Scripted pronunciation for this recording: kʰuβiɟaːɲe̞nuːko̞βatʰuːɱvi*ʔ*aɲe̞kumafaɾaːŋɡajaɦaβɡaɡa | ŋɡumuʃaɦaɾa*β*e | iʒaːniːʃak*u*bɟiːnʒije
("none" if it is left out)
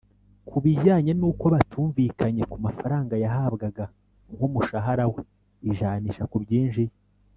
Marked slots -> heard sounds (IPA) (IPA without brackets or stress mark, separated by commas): k, w, u